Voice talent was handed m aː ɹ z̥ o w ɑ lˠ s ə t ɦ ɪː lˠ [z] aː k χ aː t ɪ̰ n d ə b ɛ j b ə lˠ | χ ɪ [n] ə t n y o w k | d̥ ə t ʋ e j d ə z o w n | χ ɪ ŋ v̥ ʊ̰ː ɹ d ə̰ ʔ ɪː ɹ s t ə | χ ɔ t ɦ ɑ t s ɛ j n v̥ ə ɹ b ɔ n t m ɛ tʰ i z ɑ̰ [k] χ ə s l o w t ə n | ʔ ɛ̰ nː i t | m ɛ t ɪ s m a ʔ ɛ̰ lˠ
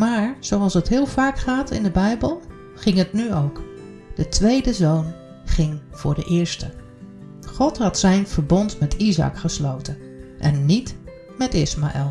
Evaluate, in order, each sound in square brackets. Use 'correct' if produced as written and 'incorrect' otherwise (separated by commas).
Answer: incorrect, incorrect, correct